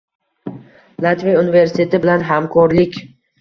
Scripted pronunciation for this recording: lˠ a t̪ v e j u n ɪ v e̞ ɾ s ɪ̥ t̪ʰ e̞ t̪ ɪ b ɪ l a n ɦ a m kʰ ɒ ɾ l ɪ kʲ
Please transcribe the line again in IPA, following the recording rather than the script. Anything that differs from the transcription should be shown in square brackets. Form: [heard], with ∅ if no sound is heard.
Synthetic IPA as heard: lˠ a t̪ v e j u n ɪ v e̞ ɾ s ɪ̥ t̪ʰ e̞ t̪ ɪ b ɪ l a n ɦ a m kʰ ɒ ɾ l ɪ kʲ